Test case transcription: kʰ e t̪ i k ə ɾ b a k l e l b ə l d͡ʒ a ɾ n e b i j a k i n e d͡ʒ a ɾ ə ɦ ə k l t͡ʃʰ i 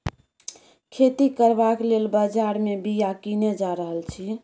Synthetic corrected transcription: kʰ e t̪ i k ə ɾ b a k l e l b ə d͡ʒ a ɾ m e b i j a k i n e d͡ʒ a ɾ ə ɦ ə l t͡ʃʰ i